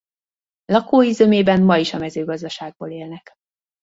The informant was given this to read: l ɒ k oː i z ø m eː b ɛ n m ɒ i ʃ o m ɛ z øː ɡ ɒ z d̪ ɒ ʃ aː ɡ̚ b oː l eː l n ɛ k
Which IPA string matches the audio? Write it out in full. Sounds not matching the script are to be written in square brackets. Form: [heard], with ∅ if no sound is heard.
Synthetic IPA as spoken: l ɒ k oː i z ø m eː b ɛ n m ɒ i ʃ [ɒ] m ɛ z øː ɡ ɒ z d̪ ɒ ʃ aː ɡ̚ b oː l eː l n ɛ k